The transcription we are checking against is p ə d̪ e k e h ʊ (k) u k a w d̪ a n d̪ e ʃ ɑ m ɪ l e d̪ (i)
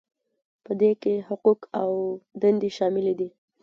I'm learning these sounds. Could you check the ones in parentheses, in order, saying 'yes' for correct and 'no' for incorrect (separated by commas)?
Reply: no, yes